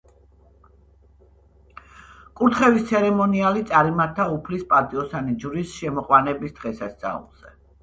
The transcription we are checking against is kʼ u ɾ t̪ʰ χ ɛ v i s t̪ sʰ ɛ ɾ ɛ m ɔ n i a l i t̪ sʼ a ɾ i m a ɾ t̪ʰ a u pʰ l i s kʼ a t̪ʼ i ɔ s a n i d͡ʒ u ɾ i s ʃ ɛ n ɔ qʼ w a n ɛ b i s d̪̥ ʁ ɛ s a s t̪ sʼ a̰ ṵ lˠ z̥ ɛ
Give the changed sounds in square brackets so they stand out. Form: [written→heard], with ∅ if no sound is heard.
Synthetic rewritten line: kʼ u ɾ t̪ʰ χ ɛ v i s t̪ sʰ ɛ ɾ ɛ m ɔ n i a l i t̪ sʼ a ɾ i m a ɾ t̪ʰ a u pʰ l i s [kʼ→pʼ] a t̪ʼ i ɔ s a n i d͡ʒ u ɾ i s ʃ ɛ [n→m] ɔ qʼ w a n ɛ b i s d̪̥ ʁ ɛ s a s t̪ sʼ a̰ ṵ lˠ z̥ ɛ